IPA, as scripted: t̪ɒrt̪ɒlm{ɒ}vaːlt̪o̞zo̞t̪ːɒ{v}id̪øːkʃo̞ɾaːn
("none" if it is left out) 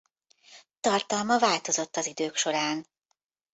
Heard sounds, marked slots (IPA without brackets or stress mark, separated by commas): ɒ, z